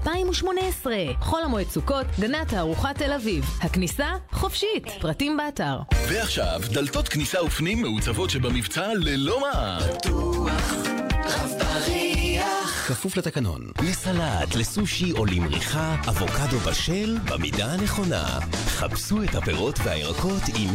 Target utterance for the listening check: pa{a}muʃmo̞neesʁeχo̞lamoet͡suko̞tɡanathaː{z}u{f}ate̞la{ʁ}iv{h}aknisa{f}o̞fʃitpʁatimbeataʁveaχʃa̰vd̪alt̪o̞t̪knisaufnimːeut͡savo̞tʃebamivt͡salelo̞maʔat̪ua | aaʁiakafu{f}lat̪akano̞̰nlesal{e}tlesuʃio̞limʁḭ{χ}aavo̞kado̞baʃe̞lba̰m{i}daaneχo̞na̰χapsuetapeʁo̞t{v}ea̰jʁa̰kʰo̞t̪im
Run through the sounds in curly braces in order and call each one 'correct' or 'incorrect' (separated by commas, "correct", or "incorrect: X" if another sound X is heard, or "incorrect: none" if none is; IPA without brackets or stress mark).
incorrect: i, incorrect: ʁ, incorrect: χ, incorrect: v, correct, incorrect: χ, correct, incorrect: a, correct, correct, correct